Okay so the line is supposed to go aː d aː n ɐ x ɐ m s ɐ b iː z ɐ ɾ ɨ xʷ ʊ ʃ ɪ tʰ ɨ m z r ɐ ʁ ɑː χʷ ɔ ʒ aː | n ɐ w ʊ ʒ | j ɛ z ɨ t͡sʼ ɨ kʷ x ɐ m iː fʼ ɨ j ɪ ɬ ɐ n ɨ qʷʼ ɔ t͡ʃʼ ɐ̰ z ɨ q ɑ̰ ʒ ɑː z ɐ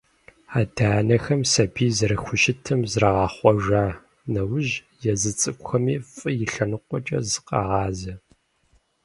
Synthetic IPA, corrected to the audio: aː d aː n ɐ x ɐ m s ɐ b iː z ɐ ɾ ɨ xʷ ʊ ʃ ɪ tʰ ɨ m z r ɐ ʁ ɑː χʷ ɔ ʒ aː | n ɐ w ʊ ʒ | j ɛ z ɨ t͡sʼ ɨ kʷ x ɐ m iː fʼ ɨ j ɪ ɬ ɐ n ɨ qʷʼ ɔ t͡ʃʼ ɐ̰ z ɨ q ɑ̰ ʁ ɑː z ɐ

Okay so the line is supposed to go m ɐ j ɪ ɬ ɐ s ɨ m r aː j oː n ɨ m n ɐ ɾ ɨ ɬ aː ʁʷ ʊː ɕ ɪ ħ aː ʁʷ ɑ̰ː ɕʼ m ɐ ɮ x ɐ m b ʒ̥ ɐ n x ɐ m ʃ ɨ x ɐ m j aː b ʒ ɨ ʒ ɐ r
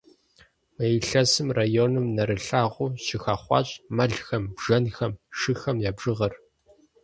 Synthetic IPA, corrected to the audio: m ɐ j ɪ ɬ ɐ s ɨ m r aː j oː n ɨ m n ɐ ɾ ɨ ɬ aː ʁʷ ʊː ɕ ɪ x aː χʷ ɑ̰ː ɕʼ m ɐ ɮ x ɐ m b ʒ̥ ɐ n x ɐ m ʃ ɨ x ɐ m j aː b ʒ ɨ ʁ ɐ r

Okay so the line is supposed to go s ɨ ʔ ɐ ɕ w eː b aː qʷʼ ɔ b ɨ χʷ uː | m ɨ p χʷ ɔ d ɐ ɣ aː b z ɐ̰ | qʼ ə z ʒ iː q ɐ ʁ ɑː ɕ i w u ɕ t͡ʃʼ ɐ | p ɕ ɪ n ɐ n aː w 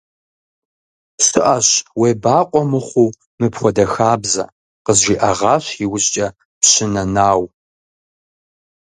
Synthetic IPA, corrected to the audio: s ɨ ʔ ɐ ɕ w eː b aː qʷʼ ɔ m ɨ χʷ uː | m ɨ p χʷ ɔ d ɐ x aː b z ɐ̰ | q ə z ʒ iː ʔ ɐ ʁ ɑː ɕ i w ʊ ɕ t͡ʃʼ ɐ | p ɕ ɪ n ɐ n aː w

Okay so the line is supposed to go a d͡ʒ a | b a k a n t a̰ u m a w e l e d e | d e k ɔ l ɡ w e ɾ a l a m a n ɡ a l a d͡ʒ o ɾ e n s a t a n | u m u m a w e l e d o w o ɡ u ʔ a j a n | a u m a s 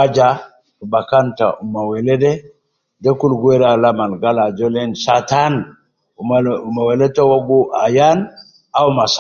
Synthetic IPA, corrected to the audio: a d͡ʒ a | b a k a n t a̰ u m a w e l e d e | d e k u l ɡ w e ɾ a l a m a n ɡ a l a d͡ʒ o l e n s a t a n | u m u m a w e l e t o w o ɡ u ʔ a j a n | a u m a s

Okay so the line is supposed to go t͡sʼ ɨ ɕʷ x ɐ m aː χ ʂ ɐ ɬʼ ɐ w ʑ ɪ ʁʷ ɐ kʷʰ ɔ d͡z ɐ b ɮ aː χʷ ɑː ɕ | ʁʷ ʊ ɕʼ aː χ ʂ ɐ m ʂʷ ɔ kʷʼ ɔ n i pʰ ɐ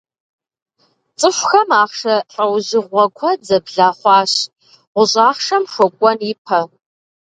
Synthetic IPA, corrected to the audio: t͡sʼ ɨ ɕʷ x ɐ m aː χ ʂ ɐ ɬʼ ɐ w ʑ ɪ ʁʷ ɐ kʷʰ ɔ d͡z ɐ b ɮ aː χʷ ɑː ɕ | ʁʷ ʊ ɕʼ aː χ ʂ ɐ m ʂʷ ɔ kʷʼ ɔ n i pʰ ɐ

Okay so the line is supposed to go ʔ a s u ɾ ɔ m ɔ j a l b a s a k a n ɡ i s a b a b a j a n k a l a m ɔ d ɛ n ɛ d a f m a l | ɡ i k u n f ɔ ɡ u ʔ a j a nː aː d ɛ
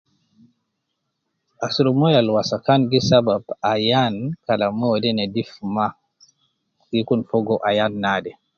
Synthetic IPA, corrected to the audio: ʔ a s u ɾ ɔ m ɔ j a l w a s a k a n ɡ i s a b a b a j a n k a l a m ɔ d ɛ n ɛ d i f m a | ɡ i k u n f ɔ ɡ ɔ ʔ a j a nː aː d ɛ

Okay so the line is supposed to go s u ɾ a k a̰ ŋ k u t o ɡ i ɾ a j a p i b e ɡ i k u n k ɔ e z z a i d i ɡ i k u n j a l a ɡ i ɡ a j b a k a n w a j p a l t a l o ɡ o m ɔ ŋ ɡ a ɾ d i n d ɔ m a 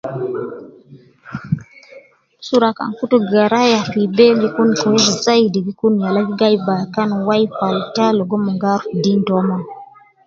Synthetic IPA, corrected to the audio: s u ɾ a k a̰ ŋ k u t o ɡ a ɾ a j a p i b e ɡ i k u n k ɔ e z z a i d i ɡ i k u n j a l a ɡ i ɡ a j b a k a n w a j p a l t a l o ɡ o m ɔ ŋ ɡ a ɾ d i n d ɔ m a

